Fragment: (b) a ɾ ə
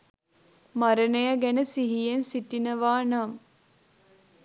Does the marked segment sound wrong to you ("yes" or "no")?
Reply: yes